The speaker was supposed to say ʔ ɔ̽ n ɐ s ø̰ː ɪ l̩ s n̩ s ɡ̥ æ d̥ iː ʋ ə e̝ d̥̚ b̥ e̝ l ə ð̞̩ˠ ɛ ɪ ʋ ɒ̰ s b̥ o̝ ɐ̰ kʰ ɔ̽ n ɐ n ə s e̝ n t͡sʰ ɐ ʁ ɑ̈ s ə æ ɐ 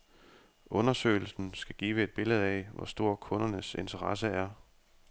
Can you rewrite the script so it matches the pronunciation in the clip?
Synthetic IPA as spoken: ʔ ɔ̽ n ɐ s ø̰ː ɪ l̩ s n̩ s ɡ̥ æ ɡ̥ iː ʋ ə e̝ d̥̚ b̥ e̝ l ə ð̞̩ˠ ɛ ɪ ʋ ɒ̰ s d̥ o̝ ɐ̰ kʰ ɔ̽ n ɐ n ə s e̝ n t͡sʰ ɐ ʁ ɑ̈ s ə æ ɐ